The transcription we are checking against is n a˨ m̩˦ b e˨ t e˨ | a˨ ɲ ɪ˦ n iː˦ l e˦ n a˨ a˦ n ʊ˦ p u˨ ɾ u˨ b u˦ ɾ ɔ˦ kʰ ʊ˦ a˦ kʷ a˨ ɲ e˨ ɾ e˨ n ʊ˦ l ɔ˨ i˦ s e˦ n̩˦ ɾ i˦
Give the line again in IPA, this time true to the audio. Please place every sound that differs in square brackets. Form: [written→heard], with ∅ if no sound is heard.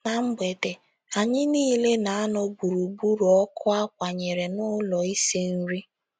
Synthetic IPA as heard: n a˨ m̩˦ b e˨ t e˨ | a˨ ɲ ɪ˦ n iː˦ l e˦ n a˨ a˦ n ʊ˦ [p→b] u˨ ɾ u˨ b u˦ ɾ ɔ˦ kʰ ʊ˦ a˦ kʷ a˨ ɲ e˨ ɾ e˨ n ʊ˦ l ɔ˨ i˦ s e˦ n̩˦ ɾ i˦